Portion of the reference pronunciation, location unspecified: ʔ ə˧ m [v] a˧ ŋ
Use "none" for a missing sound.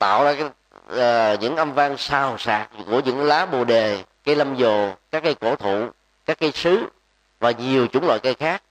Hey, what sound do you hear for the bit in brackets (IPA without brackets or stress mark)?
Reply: v